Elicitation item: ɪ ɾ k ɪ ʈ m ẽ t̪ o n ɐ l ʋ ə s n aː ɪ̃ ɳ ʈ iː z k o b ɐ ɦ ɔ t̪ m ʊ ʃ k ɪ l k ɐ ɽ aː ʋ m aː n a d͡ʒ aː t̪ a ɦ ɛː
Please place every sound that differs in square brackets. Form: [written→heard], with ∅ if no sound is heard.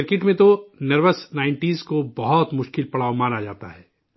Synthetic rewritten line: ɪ ɾ k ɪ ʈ m ẽ t̪ o n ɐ [l→ɾ] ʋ ə s n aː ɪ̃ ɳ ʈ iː z k o b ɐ ɦ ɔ t̪ m ʊ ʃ k ɪ l [k→p] ɐ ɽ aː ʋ m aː n a d͡ʒ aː t̪ a ɦ ɛː